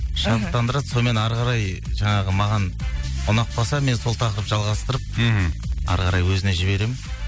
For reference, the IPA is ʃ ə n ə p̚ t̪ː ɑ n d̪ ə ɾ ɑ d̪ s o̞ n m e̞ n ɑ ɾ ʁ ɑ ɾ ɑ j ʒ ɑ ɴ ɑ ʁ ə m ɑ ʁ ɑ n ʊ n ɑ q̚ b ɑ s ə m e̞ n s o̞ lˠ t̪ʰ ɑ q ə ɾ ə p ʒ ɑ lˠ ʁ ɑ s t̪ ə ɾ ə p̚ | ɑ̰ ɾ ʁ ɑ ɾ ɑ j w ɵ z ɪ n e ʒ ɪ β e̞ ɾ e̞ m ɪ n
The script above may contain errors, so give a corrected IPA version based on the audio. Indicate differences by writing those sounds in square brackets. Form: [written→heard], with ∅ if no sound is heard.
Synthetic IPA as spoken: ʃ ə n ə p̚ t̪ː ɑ n d̪ ə ɾ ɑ d̪ s o̞ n m e̞ n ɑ ɾ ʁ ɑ ɾ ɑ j ʒ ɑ ɴ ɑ ʁ ə m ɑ ʁ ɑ n ʊ n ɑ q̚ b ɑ s [ə→ɑ] m e̞ n s o̞ lˠ t̪ʰ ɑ q ə ɾ ə p ʒ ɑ lˠ ʁ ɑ s t̪ ə ɾ ə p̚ | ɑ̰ ɾ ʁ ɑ ɾ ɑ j w ɵ z ɪ n e ʒ ɪ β e̞ ɾ e̞ m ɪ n